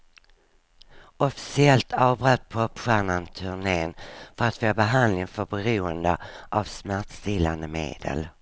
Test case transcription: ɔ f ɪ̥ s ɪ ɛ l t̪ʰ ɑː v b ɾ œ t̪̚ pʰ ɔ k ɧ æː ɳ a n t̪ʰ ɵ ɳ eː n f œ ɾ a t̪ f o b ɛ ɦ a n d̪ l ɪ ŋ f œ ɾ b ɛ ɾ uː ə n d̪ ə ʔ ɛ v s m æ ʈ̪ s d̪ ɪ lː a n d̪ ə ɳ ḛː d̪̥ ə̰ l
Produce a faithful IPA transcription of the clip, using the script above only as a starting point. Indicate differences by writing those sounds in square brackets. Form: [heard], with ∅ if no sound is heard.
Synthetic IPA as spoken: ɔ f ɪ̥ s ɪ ɛ l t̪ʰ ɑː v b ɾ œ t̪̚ pʰ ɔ [p] ɧ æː ɳ a n t̪ʰ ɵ ɳ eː n f œ ɾ a t̪ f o b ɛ ɦ a n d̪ l ɪ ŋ f œ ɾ b ɛ ɾ uː ə n d̪ ə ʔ [a] v s m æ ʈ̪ s [t̪] ɪ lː a n d̪ ə [m] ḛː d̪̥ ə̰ l

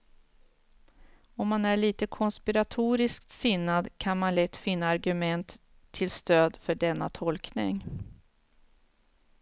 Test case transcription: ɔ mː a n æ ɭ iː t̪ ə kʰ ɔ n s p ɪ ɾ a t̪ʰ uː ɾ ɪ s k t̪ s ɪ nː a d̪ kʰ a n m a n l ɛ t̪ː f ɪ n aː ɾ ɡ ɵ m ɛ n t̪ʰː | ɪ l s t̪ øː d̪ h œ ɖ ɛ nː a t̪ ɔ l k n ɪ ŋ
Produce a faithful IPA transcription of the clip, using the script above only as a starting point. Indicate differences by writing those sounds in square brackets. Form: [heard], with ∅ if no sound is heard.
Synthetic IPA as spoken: ɔ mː a n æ ɭ iː t̪ ə kʰ ɔ n s p ɪ ɾ a t̪ʰ uː ɾ ɪ s k t̪ s ɪ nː a d̪ kʰ a n m a n l ɛ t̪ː f ɪ [nː] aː ɾ ɡ ɵ m ɛ n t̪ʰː | ɪ l s t̪ øː d̪ [f] œ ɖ ɛ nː a [t̪ʰ] ɔ l k n ɪ ŋ

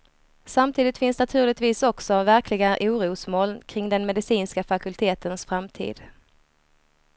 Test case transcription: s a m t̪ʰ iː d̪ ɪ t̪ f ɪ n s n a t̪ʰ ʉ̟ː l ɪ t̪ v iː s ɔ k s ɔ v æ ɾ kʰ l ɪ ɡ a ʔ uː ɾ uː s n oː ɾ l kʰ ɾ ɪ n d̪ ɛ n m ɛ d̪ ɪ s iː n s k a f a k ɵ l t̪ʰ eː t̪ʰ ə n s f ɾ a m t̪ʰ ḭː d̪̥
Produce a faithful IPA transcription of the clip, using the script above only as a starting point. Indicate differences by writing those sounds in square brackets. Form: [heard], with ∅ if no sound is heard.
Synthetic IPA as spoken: s a m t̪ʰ iː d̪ ɪ t̪ f ɪ n s n a t̪ʰ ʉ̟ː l ɪ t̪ v iː s ɔ k s ɔ v æ ɾ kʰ l ɪ ɡ a ʔ uː ɾ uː s [m] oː [∅] l kʰ ɾ ɪ [ŋ] d̪ ɛ n m ɛ d̪ ɪ s iː n s k a f a k ɵ l t̪ʰ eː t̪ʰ ə n s f ɾ a m t̪ʰ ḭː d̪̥

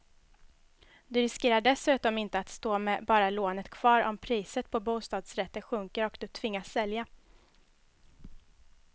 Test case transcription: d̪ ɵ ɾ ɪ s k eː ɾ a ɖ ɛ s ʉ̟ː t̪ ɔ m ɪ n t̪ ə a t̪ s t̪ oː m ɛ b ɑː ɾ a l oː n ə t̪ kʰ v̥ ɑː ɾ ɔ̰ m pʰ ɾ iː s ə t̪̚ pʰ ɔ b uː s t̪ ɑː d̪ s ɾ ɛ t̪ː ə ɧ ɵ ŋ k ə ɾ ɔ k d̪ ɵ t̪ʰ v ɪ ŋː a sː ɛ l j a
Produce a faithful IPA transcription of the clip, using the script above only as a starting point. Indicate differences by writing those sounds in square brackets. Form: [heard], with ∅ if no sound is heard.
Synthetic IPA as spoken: d̪ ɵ ɾ ɪ s k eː ɾ a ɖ ɛ s ʉ̟ː t̪ ɔ m ɪ n t̪ ə a t̪ s t̪ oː m ɛ b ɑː ɾ a l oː n ə t̪ kʰ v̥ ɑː ɾ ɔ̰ m pʰ ɾ iː s ə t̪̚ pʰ ɔ b uː s t̪ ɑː d̪ s ɾ ɛ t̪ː ə ɧ ɵ ŋ k ə ɾ ɔ k d̪ ɵ t̪ʰ v ɪ ŋː a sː ɛ l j a

